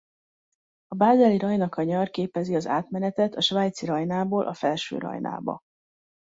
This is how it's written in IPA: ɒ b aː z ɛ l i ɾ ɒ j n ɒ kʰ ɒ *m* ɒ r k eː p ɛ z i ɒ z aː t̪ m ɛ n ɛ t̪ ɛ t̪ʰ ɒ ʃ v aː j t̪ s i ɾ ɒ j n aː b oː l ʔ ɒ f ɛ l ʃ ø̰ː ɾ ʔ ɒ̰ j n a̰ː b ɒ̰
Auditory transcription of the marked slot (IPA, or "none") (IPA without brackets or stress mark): ɲ